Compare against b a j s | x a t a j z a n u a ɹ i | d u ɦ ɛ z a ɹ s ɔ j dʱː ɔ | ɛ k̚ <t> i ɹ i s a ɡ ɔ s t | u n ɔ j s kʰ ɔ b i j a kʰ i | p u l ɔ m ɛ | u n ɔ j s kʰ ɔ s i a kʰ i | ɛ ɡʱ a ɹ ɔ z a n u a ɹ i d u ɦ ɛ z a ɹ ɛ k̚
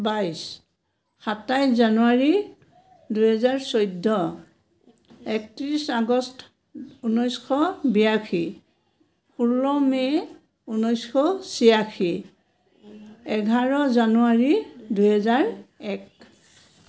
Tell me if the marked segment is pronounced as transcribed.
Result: yes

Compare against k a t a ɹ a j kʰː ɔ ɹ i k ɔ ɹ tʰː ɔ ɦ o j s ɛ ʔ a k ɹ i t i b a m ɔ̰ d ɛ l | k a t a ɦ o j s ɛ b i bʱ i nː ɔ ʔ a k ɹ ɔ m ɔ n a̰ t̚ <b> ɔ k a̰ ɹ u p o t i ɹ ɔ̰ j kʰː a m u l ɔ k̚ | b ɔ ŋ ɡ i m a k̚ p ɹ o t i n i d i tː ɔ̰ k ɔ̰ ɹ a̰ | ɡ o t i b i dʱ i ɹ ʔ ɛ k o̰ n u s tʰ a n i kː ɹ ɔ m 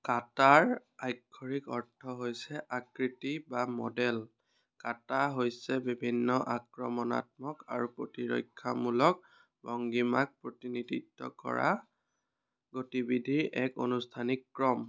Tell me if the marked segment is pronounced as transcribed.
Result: no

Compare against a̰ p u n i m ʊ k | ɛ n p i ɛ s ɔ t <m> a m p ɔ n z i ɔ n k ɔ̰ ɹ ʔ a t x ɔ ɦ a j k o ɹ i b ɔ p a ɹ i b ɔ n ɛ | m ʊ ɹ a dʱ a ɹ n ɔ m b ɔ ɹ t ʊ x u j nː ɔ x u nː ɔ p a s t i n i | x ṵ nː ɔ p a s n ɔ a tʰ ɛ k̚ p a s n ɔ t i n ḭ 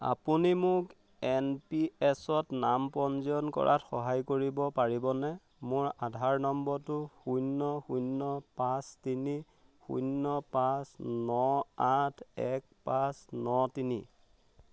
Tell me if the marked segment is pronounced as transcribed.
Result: no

